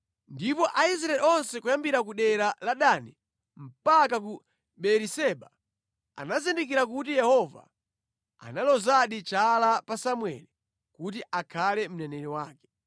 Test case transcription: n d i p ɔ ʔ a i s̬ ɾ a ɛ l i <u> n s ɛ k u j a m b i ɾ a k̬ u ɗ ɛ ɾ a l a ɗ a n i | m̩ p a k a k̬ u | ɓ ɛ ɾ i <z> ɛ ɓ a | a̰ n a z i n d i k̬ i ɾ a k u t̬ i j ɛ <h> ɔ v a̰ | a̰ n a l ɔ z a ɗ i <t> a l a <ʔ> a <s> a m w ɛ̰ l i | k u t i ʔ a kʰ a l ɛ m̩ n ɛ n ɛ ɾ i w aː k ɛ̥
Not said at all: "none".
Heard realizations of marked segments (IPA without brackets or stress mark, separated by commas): ɔ, s, h, t͡ʃ, p, s